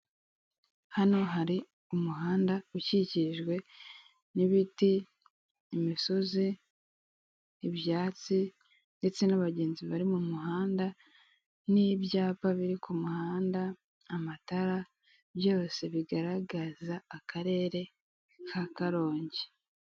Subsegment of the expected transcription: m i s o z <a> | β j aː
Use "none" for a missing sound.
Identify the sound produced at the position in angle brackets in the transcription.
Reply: i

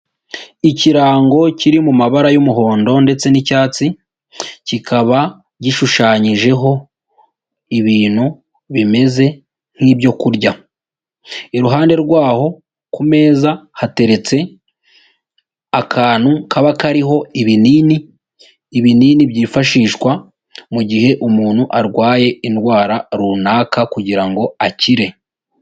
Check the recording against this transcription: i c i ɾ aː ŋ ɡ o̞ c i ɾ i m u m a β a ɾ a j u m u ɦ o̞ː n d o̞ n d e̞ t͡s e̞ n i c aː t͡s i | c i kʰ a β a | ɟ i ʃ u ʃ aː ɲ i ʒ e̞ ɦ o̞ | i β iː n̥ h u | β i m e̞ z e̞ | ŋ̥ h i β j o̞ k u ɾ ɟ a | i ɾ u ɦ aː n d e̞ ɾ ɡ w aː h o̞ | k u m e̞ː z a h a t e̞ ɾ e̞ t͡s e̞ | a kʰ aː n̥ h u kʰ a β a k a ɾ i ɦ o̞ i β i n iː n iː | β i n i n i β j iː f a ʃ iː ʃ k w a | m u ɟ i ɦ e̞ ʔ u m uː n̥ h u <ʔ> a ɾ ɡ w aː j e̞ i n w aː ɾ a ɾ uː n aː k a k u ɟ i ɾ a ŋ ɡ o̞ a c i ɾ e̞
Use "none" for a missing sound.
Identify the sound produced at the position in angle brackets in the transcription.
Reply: ʔ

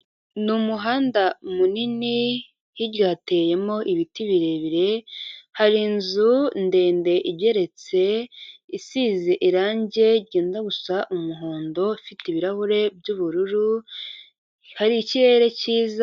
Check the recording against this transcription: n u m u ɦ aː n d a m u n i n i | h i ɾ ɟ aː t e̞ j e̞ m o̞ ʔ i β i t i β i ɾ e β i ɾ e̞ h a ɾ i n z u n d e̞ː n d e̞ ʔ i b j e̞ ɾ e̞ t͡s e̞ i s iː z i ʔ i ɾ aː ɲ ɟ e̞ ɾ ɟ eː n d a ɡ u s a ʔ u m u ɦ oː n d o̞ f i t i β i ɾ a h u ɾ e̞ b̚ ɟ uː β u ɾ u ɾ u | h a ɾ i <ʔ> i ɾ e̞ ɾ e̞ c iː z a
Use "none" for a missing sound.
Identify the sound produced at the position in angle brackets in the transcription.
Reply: c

